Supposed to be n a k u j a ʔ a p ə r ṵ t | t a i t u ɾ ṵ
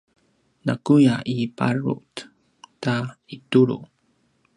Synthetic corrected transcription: n a k u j a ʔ i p a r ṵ t | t a i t u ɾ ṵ